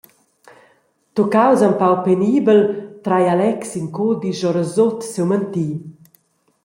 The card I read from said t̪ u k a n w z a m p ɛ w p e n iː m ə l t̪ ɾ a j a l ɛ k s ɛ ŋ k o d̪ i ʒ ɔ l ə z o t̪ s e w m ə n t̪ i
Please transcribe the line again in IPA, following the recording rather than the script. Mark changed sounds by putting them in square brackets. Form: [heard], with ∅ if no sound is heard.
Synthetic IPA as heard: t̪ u k a [∅] w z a m p [a] w p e n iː [b] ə l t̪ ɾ a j a l ɛ k s [i] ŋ k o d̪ i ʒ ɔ [ɾ] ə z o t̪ s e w m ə n t̪ i